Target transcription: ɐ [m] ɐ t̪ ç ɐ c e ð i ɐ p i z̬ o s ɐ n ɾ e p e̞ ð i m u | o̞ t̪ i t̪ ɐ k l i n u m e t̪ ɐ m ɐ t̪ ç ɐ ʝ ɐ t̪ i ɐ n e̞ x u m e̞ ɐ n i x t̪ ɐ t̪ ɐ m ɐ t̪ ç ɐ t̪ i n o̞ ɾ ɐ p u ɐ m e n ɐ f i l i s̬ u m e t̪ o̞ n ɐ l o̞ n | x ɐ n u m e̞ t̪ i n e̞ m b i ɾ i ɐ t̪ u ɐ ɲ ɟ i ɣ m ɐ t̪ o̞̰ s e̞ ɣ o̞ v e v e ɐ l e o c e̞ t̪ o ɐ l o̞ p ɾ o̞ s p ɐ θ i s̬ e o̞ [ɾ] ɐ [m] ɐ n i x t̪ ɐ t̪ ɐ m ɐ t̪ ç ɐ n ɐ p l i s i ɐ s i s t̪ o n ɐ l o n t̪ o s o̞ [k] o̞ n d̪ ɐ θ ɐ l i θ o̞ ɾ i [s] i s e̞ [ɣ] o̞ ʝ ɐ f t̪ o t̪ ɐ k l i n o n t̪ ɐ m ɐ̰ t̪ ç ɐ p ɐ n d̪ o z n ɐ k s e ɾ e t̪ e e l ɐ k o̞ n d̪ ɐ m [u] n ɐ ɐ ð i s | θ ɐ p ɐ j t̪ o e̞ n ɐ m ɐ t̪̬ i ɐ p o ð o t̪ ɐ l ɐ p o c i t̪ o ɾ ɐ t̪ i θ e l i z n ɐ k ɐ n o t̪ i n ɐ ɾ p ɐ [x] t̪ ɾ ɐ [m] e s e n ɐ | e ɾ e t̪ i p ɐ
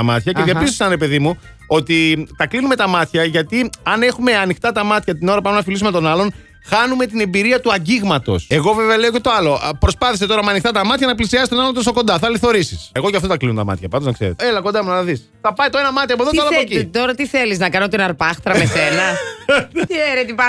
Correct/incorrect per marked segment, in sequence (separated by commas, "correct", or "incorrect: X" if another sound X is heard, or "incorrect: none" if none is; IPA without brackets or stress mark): correct, correct, correct, correct, correct, correct, correct, correct, correct